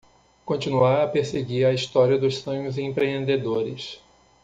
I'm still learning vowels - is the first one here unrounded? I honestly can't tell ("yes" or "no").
no